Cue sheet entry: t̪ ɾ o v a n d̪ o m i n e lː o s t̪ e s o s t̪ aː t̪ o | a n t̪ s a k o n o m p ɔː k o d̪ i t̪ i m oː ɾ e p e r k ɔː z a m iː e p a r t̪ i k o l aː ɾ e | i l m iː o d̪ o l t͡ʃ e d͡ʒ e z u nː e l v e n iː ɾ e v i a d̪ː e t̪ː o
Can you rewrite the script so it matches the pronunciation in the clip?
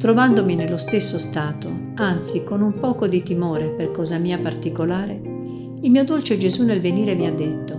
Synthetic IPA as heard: t̪ ɾ o v a n d̪ o m i n e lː o s t̪ e sː o s t̪ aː t̪ o | a n t̪ s i k o n u m p ɔː k o d̪ i t̪ i m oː ɾ e p e r k ɔː z a m iː a p a r t̪ i k o l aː ɾ e | i l m iː o d̪ o l t͡ʃ e d͡ʒ e z u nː e l v e n iː ɾ e v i a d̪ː e t̪ː o